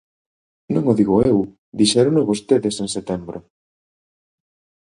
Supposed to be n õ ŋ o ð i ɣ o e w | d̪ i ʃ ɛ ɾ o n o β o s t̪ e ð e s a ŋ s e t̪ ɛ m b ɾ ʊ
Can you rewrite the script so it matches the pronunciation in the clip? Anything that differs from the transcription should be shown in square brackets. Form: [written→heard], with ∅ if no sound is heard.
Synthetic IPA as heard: n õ ŋ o ð i ɣ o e w | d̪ i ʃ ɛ ɾ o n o β o s t̪ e ð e s [a→e] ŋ s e t̪ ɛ m b ɾ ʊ